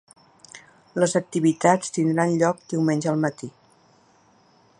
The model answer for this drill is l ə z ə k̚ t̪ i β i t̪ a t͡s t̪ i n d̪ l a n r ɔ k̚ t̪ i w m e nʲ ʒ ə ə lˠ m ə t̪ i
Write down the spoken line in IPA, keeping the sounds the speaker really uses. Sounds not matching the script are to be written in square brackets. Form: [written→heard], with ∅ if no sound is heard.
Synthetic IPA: l ə z ə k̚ t̪ i β i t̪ a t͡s t̪ i n d̪ [l→ɾ] a n [r→ʎ] ɔ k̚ [t̪→d̪] i w m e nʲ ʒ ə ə lˠ m ə t̪ i